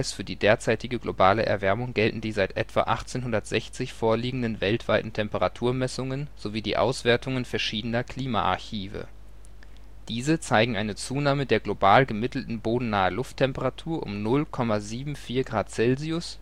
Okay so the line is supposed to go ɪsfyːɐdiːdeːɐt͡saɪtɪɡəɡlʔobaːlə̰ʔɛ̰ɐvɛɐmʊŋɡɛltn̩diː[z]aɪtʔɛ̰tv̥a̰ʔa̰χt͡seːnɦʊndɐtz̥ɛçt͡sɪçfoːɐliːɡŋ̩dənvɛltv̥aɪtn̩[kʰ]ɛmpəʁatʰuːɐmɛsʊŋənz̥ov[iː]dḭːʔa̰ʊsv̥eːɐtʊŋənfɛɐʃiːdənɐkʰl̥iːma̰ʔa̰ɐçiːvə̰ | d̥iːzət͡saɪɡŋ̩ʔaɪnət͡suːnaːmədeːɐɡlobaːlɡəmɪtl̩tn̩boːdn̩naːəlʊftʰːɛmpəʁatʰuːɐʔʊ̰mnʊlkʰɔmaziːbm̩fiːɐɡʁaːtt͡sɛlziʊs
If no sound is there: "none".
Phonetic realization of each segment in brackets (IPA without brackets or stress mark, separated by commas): z, tʰ, iː